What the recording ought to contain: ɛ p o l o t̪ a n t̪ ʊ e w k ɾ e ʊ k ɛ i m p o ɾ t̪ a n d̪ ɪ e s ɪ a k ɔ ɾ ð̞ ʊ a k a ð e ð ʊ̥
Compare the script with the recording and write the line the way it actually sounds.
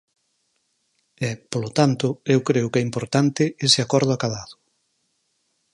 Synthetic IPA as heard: ɛ p o l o t̪ a n t̪ ʊ e w k ɾ e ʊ k ɛ i m p o ɾ t̪ a n t̪ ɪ e s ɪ a k ɔ ɾ ð̞ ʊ a k a ð a ð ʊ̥